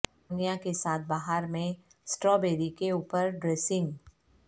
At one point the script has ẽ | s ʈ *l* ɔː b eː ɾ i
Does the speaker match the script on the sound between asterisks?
no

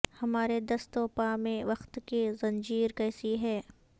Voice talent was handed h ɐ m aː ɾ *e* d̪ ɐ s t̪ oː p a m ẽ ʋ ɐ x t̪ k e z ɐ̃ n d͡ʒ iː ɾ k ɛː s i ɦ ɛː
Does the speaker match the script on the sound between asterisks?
yes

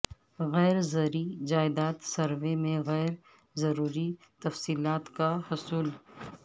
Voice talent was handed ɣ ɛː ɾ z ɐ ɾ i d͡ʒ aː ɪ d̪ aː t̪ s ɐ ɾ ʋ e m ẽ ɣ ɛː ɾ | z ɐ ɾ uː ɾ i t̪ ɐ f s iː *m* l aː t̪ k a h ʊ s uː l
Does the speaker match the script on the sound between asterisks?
no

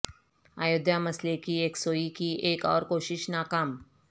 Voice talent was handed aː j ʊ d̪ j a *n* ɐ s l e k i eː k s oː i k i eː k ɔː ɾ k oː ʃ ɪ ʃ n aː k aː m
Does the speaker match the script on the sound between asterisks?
no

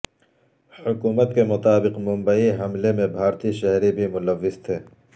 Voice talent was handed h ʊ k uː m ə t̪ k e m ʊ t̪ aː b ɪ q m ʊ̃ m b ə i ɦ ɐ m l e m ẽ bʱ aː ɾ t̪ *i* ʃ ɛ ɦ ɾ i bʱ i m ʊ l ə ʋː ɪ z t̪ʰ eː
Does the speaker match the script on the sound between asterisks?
yes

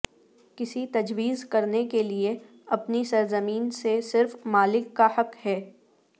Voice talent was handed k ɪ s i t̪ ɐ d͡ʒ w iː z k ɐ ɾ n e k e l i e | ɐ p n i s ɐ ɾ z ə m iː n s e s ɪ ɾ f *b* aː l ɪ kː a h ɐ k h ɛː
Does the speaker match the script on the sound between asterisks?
no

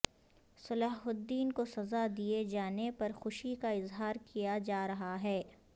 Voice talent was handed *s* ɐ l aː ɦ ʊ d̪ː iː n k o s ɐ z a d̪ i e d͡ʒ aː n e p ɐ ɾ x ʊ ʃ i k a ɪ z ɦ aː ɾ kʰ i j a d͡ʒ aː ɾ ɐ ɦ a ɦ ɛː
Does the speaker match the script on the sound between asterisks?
yes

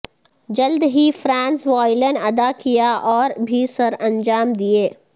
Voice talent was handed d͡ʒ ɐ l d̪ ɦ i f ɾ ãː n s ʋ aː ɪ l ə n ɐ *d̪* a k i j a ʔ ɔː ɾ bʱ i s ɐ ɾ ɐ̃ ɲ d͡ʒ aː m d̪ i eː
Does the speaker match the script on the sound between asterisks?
yes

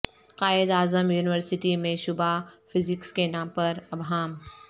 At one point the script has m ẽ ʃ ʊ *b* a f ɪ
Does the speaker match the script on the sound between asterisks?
yes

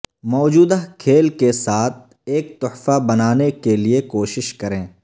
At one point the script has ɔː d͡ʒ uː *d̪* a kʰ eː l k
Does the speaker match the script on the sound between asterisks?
yes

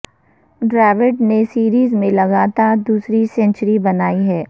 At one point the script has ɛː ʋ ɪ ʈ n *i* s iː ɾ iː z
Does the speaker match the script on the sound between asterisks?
no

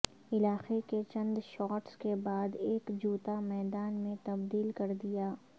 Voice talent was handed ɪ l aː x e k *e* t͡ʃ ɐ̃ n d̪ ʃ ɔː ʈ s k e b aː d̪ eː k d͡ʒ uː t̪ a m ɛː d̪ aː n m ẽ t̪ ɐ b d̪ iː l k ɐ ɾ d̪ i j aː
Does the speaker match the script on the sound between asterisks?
yes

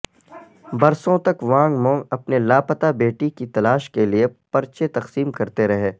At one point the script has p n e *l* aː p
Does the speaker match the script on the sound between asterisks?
yes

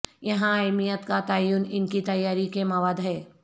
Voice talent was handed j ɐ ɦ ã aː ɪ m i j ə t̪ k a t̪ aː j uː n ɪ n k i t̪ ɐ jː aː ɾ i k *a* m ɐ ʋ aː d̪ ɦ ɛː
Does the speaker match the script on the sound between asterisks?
no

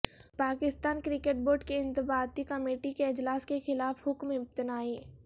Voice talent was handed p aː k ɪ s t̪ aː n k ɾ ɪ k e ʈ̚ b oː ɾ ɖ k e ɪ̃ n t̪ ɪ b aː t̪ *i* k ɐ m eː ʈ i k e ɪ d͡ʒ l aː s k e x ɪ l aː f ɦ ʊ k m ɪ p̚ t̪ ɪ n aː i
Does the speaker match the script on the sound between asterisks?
yes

